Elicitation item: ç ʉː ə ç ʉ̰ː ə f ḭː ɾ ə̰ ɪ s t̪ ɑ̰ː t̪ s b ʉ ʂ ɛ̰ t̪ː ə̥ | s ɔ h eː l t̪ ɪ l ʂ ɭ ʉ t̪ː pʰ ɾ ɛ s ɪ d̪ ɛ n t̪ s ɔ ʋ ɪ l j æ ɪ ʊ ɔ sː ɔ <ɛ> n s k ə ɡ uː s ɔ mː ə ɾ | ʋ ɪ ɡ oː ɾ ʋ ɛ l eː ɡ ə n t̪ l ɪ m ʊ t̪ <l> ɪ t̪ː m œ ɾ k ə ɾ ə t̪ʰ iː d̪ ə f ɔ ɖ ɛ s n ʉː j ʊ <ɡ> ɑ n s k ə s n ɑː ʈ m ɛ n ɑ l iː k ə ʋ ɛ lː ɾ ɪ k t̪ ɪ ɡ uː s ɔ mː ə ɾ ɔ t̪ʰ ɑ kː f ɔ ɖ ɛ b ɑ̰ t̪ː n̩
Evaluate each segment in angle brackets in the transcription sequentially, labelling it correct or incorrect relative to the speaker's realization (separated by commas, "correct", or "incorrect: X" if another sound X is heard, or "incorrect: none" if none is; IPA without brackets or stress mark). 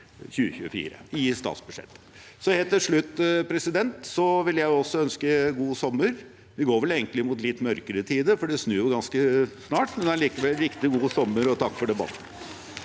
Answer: incorrect: œ, correct, correct